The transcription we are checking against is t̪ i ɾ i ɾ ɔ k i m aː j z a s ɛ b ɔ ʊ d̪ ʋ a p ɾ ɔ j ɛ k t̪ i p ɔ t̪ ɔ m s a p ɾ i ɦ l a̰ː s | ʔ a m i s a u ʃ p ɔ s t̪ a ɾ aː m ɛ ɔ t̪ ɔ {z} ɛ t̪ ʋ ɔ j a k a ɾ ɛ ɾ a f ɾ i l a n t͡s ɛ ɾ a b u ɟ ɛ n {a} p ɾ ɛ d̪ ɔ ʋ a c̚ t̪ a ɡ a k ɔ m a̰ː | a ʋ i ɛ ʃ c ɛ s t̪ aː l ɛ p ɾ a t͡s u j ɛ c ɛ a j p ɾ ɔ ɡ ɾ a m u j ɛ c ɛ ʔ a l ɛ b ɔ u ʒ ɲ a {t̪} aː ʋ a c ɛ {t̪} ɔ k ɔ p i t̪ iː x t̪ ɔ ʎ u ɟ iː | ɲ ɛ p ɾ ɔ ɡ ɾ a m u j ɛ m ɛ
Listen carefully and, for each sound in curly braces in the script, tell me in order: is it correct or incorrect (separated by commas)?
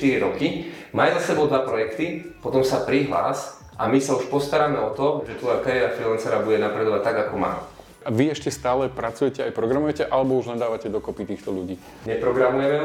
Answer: incorrect, correct, incorrect, incorrect